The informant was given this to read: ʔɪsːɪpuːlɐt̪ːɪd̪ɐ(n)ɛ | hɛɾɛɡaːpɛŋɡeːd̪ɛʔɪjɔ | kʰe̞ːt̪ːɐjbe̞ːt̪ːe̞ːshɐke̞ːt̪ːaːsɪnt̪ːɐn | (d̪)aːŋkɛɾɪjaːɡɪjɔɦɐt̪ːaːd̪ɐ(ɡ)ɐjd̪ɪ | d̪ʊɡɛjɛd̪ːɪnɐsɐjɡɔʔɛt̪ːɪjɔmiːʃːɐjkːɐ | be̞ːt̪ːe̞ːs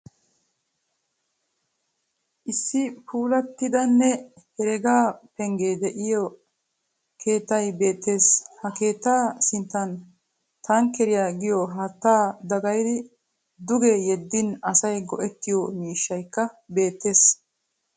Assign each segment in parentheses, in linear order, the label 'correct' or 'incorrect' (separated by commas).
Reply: incorrect, incorrect, correct